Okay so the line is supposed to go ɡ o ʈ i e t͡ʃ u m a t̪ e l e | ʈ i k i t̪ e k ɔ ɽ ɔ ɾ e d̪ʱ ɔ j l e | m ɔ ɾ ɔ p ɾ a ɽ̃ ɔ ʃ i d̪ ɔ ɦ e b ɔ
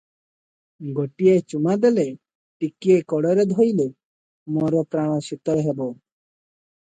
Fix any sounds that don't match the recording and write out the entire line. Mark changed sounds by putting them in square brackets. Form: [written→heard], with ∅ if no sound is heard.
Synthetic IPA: ɡ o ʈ i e t͡ʃ u m a [t̪→d̪] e l e | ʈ i k i [t̪→∅] e k ɔ ɽ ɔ ɾ e d̪ʱ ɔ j l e | m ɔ ɾ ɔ p ɾ a ɽ̃ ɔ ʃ i [d̪→t̪] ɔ ɦ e b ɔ